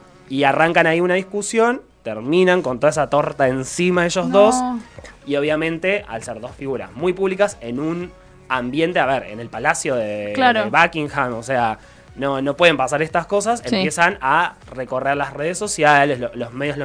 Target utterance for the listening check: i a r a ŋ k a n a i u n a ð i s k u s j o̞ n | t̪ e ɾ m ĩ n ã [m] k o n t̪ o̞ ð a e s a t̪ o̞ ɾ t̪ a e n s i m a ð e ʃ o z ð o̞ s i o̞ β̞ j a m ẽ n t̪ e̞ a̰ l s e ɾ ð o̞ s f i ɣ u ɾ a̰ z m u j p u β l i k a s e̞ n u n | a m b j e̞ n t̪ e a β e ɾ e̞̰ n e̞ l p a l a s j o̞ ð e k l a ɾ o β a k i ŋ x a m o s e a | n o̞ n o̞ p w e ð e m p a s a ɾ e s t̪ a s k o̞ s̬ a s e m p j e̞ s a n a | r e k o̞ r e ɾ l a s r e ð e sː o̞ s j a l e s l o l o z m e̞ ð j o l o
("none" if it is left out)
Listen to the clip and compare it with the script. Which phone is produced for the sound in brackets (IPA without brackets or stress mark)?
ŋ